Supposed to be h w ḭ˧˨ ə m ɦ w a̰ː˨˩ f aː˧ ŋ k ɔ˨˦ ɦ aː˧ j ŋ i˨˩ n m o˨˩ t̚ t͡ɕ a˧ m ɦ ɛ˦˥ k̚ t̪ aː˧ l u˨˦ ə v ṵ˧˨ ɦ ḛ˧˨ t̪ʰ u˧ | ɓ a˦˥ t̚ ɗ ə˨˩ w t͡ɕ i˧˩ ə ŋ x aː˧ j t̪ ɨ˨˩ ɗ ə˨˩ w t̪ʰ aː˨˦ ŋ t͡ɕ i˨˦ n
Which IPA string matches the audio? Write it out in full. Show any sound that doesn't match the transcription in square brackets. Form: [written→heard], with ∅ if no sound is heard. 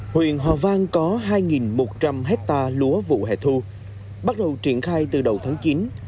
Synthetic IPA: h w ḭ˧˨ ə [m→n] ɦ w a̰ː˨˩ [f→v] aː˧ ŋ k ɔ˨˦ ɦ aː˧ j ŋ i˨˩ n m o˨˩ t̚ t͡ɕ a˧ m ɦ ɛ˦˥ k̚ t̪ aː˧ l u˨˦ ə v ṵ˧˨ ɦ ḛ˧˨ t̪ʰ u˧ | ɓ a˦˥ t̚ ɗ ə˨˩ w t͡ɕ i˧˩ ə [ŋ→n] x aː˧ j t̪ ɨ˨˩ ɗ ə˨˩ w t̪ʰ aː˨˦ ŋ t͡ɕ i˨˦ n